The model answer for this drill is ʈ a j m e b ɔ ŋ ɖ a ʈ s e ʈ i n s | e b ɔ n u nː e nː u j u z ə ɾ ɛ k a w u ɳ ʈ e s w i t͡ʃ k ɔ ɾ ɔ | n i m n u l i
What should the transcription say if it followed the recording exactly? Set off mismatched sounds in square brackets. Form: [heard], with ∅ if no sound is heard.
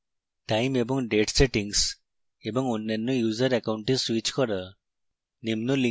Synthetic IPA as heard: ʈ a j m e b ɔ ŋ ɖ [e] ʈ s e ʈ i [ŋ] s | e b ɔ [ŋ] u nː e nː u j u z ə ɾ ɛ k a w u ɳ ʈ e s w i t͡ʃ k ɔ ɾ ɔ | n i m n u l i